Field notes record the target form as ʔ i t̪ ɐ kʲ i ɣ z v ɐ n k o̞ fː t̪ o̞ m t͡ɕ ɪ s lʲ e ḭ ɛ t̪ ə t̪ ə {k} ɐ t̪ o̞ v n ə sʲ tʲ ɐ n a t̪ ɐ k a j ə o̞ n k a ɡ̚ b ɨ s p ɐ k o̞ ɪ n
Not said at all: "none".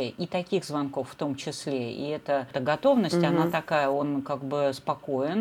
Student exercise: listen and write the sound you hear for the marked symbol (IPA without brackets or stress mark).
ɡ